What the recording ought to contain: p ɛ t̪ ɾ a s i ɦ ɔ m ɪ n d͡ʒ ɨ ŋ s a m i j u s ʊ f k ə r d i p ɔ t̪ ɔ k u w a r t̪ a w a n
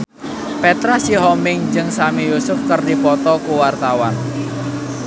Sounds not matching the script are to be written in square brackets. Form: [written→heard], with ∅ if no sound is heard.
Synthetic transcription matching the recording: p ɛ t̪ ɾ a s i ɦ ɔ m ɪ [n→ŋ] d͡ʒ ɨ ŋ s a m i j u s ʊ f k ə r d i p ɔ t̪ ɔ k u w a r t̪ a w a n